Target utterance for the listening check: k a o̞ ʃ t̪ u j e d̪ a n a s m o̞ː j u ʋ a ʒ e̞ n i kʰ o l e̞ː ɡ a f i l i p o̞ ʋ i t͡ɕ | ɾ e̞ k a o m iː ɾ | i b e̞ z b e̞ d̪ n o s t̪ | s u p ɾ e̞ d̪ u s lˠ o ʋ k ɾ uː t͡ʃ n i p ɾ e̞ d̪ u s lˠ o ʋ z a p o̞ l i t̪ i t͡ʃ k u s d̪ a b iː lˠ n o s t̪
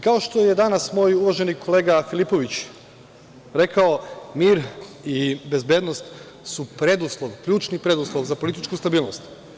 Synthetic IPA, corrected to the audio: k a o̞ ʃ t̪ o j e d̪ a n a s m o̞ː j u ʋ a ʒ e̞ n i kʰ o l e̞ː ɡ a f i l i p o̞ ʋ i t͡ɕ | ɾ e̞ k a o m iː ɾ | i b e̞ z b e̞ d̪ n o s t̪ | s u p ɾ e̞ d̪ u s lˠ o ʋ k ʎ uː t͡ʃ n i p ɾ e̞ d̪ u s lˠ o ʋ z a p o̞ l i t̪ i t͡ʃ k u s t̪ a b iː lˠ n o s t̪